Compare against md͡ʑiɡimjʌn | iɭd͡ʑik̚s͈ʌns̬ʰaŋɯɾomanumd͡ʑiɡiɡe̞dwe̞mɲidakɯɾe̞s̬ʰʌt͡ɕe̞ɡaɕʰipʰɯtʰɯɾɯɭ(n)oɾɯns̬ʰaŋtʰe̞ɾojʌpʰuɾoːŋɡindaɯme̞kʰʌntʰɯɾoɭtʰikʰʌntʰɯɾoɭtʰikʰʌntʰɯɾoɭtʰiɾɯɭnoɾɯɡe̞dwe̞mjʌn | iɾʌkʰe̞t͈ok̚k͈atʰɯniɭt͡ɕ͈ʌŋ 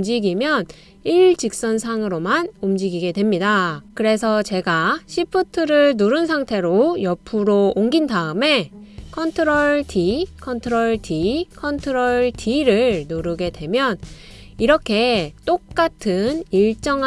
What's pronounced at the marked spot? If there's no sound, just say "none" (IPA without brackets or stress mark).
n